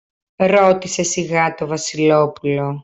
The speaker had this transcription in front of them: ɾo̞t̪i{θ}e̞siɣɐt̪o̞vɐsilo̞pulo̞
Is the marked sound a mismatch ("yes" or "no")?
yes